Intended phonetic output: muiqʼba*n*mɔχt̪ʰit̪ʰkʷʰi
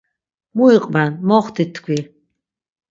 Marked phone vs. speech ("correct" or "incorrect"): correct